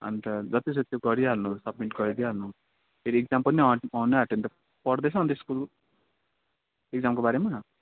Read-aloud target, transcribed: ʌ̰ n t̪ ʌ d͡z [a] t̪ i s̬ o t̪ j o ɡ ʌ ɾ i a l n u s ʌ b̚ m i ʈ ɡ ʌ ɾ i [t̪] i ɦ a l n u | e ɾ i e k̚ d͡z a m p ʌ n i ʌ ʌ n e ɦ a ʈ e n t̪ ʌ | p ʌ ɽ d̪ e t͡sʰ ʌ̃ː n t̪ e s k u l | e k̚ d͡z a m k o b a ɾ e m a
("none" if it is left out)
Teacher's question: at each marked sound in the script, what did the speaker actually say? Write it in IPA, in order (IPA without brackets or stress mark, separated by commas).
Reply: ʌ, d̪